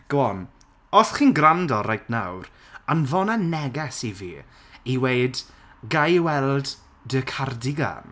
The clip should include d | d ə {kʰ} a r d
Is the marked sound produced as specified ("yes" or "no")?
yes